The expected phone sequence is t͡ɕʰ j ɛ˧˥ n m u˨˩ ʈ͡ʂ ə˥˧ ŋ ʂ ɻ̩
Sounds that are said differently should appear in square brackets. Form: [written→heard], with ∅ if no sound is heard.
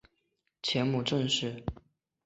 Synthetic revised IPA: t͡ɕʰ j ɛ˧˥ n m u˨˩ ʈ͡ʂ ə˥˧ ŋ ʂ ɻ̩